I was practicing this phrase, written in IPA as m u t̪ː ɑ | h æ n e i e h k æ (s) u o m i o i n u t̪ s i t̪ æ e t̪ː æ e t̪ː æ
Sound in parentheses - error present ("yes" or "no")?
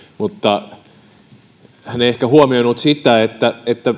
yes